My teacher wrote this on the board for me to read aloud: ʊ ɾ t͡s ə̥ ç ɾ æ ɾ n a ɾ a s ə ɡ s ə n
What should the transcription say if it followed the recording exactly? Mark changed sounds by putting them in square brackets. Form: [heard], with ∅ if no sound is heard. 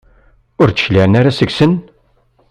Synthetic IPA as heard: ʊ ɾ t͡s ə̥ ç [l] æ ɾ n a ɾ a s ə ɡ s ə n